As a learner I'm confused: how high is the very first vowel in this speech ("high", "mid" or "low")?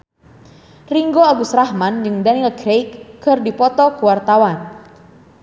high